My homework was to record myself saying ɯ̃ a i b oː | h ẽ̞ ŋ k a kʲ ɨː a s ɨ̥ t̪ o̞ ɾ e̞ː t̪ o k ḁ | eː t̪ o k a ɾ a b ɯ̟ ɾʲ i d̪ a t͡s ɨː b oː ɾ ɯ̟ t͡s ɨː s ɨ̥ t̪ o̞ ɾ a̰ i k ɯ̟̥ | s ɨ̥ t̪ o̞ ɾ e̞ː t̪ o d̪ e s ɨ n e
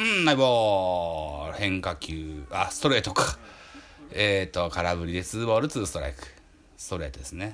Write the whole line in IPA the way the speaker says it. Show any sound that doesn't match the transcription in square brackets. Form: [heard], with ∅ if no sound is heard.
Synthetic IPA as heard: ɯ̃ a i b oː | h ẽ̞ ŋ k a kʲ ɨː a s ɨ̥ t̪ o̞ ɾ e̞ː t̪ o k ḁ | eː t̪ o k a ɾ a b ɯ̟ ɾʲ i d̪ [e] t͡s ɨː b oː ɾ ɯ̟ t͡s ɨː s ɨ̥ t̪ o̞ ɾ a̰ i k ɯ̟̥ | s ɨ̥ t̪ o̞ ɾ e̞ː t̪ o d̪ e s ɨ n e